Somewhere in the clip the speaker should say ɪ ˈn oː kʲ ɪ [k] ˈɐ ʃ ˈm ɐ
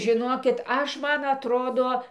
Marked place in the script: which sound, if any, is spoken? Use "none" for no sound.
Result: t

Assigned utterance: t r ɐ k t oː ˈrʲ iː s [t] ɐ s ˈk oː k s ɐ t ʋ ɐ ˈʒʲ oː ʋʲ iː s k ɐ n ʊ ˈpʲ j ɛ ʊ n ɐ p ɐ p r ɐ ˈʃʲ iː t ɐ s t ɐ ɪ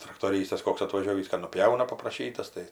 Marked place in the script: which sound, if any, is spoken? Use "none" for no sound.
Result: t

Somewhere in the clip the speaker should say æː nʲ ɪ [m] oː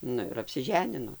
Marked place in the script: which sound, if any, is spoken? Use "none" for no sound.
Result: n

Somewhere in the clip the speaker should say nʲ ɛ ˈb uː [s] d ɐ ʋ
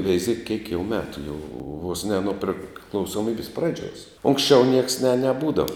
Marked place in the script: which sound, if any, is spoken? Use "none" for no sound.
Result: none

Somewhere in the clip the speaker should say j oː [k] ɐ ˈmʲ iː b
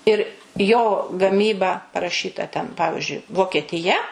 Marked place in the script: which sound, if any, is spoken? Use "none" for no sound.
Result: ɡ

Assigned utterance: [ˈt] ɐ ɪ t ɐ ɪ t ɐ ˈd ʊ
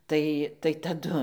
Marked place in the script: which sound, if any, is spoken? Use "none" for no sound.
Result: t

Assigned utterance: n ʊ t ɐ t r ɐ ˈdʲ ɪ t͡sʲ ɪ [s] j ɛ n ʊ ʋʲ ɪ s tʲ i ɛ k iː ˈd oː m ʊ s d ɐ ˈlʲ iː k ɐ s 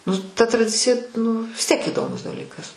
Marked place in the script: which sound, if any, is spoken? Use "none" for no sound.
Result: none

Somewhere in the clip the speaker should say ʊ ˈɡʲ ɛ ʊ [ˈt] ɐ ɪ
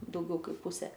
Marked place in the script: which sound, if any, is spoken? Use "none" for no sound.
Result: k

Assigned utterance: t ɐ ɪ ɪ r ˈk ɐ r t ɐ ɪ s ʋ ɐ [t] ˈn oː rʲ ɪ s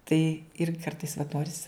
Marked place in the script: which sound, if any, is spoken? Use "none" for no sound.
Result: t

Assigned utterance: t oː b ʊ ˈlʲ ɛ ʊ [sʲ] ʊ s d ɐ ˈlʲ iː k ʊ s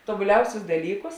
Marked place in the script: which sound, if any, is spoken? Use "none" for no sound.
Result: sʲ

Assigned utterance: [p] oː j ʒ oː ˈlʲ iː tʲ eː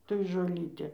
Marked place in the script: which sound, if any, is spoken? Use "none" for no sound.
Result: t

